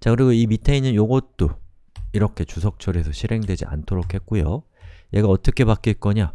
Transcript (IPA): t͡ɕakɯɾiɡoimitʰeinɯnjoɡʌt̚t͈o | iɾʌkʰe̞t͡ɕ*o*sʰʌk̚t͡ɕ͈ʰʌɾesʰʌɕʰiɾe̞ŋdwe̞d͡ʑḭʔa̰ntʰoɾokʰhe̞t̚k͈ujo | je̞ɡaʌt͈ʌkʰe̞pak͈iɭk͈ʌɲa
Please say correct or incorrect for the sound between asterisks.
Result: incorrect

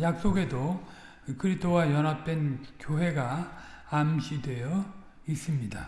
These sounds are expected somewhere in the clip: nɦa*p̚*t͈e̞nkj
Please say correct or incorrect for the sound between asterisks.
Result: correct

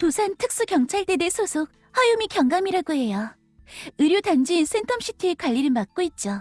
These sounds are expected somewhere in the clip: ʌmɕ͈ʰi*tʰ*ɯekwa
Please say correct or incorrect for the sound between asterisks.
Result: correct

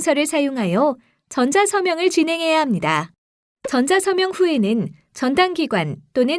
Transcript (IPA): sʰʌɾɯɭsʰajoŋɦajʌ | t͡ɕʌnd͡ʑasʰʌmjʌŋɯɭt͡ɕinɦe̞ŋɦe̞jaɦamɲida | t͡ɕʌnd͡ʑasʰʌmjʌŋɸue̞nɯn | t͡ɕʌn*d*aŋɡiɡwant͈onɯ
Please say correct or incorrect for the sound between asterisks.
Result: correct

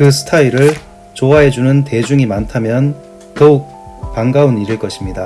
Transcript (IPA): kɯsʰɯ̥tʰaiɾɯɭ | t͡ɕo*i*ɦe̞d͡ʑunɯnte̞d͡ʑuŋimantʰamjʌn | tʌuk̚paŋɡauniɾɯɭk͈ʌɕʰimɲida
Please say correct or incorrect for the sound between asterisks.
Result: incorrect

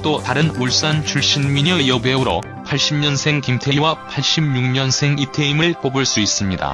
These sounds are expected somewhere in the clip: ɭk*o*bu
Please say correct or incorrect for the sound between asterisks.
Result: correct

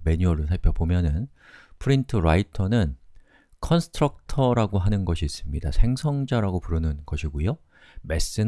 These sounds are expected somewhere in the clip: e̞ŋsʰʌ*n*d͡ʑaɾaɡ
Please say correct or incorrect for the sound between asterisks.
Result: incorrect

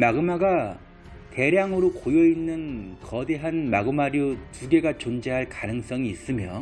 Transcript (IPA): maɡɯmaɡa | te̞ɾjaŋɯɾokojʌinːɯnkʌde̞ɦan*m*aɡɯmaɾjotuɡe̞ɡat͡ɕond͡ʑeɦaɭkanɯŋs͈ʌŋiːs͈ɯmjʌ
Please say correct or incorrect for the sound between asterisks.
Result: correct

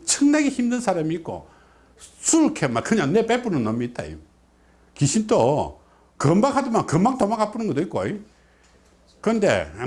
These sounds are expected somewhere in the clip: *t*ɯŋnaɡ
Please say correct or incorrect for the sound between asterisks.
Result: incorrect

